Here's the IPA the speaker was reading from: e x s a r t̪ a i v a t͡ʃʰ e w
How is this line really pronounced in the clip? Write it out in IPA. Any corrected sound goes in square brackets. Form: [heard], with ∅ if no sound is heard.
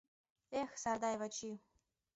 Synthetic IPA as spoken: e x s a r [d̪] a [j] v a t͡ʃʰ [i] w